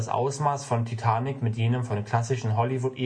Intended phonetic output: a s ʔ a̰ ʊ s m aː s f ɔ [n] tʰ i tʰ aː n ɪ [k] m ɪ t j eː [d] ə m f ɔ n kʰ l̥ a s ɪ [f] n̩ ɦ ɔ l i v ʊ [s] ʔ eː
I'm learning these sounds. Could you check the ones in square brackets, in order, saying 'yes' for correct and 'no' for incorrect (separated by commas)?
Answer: yes, yes, no, no, no